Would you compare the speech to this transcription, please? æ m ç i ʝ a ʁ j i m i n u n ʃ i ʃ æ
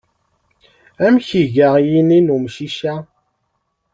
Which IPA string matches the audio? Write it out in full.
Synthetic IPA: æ m ç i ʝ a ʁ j i n i n u m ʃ i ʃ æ